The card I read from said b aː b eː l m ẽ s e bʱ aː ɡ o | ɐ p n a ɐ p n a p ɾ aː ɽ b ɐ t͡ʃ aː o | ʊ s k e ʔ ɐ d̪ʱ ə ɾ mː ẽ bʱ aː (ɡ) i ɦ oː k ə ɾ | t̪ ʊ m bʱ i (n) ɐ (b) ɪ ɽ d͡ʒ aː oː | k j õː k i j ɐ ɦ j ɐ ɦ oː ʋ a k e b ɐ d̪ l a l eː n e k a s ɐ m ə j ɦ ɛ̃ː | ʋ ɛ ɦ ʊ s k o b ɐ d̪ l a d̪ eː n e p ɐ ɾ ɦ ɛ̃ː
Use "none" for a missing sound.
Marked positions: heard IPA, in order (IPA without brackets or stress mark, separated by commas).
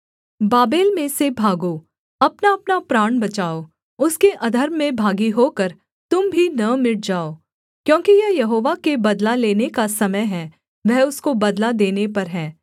ɡ, n, m